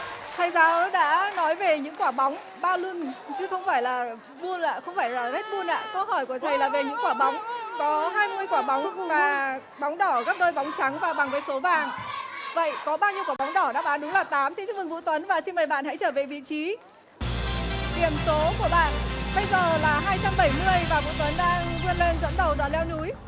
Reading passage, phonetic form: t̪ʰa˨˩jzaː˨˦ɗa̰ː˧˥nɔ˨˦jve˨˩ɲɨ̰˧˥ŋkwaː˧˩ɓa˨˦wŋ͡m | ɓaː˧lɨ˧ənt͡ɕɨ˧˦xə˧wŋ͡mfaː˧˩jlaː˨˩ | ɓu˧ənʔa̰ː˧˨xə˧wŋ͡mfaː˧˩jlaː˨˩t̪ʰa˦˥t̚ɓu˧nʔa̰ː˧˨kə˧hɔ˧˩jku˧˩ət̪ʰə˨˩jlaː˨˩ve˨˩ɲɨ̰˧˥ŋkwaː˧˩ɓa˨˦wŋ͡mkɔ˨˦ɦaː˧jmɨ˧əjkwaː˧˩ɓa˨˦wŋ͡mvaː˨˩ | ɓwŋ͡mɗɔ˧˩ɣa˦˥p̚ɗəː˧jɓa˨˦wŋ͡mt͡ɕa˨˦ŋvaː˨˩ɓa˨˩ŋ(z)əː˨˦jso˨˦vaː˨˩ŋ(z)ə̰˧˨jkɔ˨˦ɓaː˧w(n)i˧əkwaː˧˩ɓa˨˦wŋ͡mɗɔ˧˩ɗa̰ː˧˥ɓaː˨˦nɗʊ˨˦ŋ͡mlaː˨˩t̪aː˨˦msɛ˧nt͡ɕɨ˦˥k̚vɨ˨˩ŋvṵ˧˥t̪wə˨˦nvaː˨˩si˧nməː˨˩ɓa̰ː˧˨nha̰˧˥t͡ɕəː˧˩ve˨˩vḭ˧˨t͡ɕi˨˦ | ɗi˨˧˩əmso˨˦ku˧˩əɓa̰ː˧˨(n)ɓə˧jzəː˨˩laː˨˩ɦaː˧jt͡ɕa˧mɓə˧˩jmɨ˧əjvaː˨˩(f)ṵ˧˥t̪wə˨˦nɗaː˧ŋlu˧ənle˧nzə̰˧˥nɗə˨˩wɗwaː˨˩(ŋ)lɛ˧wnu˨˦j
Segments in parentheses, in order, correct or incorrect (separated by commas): incorrect, incorrect, incorrect, correct, incorrect, incorrect